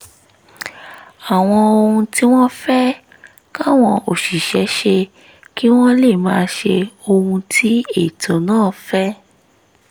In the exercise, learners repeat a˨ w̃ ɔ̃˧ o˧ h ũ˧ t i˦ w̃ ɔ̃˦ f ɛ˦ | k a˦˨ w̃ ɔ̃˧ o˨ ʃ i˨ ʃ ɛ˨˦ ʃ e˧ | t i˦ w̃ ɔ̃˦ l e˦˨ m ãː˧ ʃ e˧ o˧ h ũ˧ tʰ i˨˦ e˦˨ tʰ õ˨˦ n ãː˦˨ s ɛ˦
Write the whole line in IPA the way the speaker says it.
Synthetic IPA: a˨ w̃ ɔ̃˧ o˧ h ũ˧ t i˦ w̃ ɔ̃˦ f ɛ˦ | k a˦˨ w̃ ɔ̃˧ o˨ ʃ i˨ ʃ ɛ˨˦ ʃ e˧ | k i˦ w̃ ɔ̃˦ l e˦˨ m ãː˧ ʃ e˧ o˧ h ũ˧ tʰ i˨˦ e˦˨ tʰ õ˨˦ n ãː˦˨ f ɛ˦